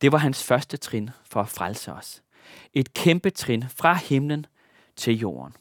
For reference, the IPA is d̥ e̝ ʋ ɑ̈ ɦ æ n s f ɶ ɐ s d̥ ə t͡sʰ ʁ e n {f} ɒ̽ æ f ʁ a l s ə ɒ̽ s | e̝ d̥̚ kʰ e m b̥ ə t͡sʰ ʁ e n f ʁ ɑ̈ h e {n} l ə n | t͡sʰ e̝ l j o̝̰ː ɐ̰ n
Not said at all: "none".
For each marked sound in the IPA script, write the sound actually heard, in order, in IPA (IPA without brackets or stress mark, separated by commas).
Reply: f, m